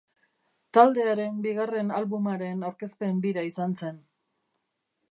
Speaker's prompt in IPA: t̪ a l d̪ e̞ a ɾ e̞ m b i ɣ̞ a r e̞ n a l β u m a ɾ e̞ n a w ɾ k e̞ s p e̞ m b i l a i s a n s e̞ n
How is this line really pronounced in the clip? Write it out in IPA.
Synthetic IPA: t̪ a l d̪ e̞ a ɾ e̞ m b i ɣ̞ a r e̞ n a l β u m a ɾ e̞ n a w ɾ k e̞ s p e̞ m b i ɾ a i s a n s e̞ n